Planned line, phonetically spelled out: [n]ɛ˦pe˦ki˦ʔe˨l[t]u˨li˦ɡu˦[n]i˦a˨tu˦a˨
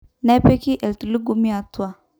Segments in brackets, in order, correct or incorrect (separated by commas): correct, correct, incorrect